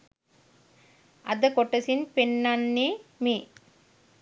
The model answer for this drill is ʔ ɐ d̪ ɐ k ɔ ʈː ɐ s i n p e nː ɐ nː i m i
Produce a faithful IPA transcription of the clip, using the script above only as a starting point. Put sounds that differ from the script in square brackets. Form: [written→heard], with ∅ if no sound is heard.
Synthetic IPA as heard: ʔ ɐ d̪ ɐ k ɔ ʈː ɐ s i n p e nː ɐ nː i m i